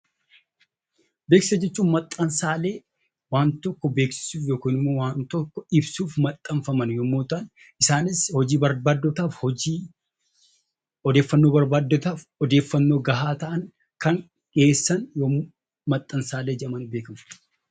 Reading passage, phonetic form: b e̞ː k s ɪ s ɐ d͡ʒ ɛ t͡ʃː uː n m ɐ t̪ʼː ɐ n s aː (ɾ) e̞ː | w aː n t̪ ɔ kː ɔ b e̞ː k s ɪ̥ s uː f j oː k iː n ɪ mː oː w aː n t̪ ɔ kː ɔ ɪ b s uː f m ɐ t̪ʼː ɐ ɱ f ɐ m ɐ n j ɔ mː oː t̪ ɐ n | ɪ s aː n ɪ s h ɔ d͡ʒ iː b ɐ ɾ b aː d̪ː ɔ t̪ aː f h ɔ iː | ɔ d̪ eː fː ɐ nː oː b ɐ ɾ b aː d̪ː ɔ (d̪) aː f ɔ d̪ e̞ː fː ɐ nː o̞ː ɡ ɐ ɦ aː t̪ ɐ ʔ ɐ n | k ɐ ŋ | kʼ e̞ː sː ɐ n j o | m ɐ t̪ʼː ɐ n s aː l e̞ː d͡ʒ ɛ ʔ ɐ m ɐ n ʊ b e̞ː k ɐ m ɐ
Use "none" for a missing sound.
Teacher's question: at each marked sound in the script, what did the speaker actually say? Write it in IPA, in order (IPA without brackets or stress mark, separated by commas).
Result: l, t̪